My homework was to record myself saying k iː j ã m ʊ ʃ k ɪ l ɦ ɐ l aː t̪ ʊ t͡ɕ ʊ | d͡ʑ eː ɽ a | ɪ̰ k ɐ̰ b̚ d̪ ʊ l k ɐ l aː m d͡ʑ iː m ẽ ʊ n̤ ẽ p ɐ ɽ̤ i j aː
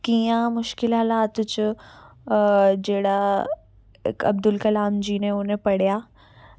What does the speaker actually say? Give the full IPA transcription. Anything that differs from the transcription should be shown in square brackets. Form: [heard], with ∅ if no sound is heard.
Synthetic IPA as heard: k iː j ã m ʊ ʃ k ɪ l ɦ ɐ l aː t̪ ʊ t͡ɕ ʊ | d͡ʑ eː ɽ a | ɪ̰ k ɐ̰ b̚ d̪ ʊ l k ɐ l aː m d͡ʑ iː [n] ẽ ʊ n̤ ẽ p ɐ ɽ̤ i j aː

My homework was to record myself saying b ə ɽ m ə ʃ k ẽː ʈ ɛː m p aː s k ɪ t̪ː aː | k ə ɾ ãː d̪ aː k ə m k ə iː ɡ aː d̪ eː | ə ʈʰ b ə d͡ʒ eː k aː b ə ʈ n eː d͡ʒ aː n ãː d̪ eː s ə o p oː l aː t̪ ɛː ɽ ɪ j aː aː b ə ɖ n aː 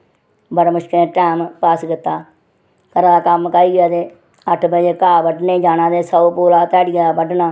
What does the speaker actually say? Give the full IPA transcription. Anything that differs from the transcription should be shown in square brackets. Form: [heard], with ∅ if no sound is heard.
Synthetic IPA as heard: b ə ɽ m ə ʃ k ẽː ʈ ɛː m p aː s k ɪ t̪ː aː | k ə ɾ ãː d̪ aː k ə m k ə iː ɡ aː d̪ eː | ə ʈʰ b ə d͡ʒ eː k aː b ə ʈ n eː d͡ʒ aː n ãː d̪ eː s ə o p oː l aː t̪ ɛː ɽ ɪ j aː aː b ə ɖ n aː

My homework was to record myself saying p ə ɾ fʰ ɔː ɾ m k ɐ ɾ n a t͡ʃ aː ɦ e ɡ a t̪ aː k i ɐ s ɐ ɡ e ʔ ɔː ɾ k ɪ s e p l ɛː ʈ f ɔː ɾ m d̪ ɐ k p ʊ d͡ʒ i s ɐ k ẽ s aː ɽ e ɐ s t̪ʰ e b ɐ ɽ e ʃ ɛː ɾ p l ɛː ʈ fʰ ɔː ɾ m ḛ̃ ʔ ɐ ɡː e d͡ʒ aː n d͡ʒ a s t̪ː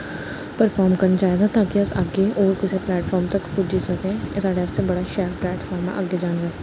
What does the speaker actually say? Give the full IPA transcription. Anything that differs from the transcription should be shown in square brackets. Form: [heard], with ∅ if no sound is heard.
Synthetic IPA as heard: p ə ɾ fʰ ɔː ɾ m k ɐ ɾ n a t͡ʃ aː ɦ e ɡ a t̪ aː k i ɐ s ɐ ɡ e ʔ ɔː ɾ k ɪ s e p l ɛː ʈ f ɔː ɾ m [t̪] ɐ k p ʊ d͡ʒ i s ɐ k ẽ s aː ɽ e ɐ s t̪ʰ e b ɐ ɽ [a] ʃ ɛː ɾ p l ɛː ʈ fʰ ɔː ɾ m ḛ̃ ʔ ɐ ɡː e d͡ʒ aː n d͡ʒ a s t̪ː

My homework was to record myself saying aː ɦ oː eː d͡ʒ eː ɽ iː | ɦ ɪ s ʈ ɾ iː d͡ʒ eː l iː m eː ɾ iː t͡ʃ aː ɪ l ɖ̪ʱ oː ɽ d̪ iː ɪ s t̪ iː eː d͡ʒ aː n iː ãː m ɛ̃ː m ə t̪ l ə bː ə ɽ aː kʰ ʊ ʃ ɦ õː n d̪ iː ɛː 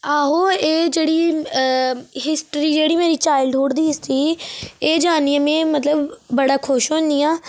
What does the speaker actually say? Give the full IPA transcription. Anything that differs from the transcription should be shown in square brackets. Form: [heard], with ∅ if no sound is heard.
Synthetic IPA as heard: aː ɦ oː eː d͡ʒ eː ɽ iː | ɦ ɪ s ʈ ɾ iː d͡ʒ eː [ɽ] iː m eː ɾ iː t͡ʃ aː ɪ l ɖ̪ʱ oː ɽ d̪ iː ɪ s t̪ iː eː d͡ʒ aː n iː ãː m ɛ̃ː m ə t̪ l ə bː ə ɽ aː kʰ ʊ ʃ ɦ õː n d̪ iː [aː]

